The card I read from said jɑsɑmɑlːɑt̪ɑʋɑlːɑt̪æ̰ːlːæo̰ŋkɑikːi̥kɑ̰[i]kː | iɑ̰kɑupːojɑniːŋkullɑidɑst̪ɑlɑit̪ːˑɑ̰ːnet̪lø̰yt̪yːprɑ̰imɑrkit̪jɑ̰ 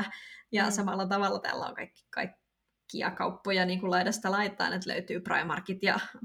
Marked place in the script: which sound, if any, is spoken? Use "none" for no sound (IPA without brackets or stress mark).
i